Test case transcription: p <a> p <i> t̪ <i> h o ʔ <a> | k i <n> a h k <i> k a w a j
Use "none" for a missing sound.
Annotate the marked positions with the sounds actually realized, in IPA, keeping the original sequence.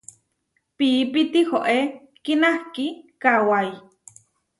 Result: i, i, i, e, n, i

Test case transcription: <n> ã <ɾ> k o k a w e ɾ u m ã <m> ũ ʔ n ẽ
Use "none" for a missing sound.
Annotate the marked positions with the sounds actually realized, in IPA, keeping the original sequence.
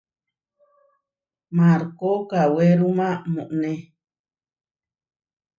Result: m, ɾ, m

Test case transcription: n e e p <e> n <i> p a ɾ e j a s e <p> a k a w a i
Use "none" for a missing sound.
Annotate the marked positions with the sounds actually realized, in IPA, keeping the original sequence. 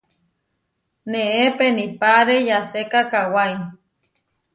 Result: e, i, k

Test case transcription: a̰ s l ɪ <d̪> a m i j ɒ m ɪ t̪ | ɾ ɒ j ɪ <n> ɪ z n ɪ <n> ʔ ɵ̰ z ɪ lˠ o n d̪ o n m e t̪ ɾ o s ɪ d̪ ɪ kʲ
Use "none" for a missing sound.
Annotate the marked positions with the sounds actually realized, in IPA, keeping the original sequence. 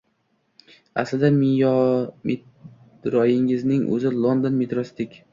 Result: d̪, ŋ, ŋ

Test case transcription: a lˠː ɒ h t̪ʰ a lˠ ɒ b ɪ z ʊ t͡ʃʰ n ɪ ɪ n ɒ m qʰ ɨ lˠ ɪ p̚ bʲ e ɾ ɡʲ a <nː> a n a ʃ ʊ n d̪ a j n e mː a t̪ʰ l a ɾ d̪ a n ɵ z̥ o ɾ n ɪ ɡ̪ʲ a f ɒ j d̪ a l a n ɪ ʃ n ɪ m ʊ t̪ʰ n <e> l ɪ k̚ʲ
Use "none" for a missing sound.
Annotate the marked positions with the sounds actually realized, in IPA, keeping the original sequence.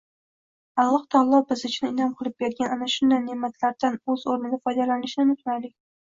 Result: n, a

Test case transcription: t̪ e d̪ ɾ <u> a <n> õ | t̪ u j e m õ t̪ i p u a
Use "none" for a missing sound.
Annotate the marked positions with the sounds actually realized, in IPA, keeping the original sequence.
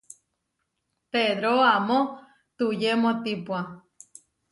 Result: o, m

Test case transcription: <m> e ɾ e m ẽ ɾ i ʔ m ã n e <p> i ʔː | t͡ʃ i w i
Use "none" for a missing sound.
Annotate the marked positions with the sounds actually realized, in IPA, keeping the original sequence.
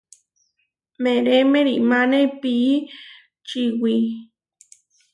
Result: m, p

